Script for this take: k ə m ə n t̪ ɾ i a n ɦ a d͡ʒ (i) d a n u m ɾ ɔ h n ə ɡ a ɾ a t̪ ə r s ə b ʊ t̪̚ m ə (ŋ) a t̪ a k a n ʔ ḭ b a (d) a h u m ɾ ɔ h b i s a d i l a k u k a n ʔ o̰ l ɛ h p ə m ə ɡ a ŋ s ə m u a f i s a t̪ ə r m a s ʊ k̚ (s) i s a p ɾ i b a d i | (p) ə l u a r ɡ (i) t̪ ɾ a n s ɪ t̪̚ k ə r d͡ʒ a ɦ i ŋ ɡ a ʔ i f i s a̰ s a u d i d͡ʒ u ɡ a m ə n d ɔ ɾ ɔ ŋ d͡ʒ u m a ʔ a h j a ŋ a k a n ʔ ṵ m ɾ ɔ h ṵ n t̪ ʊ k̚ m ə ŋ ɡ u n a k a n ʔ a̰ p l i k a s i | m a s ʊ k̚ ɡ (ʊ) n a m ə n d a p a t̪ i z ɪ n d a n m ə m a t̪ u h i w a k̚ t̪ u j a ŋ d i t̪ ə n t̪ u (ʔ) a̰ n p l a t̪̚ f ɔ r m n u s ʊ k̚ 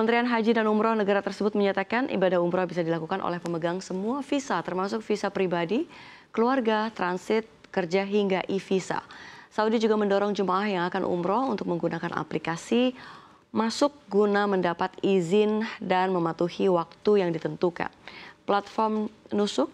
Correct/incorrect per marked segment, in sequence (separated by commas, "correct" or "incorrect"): correct, incorrect, correct, incorrect, incorrect, incorrect, incorrect, incorrect